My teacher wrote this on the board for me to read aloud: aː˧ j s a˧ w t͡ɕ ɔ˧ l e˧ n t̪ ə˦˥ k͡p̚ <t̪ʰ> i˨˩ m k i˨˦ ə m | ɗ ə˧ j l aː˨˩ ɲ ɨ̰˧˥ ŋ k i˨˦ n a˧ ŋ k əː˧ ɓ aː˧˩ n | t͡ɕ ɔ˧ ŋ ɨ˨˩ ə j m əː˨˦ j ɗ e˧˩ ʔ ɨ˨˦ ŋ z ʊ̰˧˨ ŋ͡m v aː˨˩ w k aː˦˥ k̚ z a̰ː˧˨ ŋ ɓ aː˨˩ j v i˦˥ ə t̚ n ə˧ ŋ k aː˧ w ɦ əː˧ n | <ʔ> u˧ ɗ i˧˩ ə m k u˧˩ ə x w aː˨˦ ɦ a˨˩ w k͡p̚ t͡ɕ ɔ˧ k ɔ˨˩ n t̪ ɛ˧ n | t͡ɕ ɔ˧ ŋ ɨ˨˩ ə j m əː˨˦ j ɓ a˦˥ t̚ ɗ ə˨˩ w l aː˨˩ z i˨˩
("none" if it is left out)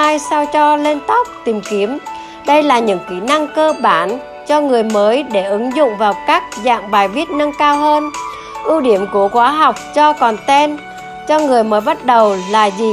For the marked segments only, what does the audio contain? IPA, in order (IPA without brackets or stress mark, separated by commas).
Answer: t̪, ʔ